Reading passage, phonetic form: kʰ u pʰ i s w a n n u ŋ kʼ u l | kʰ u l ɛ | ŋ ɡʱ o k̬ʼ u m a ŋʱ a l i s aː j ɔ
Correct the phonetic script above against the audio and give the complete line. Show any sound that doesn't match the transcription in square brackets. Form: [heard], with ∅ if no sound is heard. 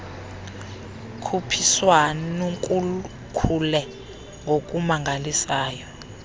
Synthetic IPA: kʰ u pʰ i s w a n n u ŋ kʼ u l | kʰ u l ɛ | ŋ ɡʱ o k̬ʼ u m a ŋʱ a l i s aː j ɔ